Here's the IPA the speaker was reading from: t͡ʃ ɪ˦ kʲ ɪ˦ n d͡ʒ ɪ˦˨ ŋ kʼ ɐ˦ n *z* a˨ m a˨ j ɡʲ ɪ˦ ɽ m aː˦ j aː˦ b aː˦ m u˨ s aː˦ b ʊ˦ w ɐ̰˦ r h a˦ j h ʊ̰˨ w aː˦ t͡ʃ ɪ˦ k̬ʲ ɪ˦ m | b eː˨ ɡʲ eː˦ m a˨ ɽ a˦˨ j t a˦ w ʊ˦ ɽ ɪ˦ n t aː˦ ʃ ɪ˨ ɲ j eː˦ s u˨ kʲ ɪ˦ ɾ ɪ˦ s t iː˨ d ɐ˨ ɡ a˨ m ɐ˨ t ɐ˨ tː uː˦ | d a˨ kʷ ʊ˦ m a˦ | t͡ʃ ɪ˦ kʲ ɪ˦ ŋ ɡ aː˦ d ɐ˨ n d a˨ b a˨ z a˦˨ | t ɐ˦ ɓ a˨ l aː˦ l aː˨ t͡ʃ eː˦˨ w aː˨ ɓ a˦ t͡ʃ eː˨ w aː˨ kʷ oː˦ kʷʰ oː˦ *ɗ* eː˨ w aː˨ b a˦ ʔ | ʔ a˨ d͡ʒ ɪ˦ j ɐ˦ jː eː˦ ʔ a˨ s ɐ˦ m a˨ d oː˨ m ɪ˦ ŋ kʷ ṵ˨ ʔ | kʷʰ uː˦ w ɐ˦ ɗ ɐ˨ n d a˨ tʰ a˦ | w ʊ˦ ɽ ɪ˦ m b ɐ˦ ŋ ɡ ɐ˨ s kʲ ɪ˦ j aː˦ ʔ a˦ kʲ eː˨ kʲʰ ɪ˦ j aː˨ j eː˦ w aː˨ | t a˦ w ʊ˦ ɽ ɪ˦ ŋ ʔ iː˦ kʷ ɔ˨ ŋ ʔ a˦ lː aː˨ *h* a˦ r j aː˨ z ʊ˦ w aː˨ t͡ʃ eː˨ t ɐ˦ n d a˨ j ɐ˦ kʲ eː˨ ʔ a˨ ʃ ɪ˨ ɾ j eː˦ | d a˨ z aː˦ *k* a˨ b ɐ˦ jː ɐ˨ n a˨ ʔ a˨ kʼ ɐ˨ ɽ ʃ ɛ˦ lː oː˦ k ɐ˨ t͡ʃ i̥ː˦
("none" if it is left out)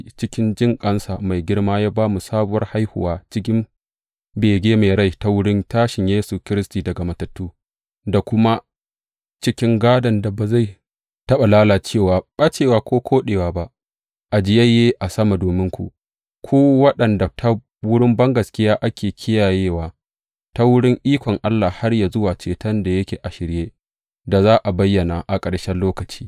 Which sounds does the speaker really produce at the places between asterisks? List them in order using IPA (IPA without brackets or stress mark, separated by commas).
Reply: s, ɗ, h, ʔ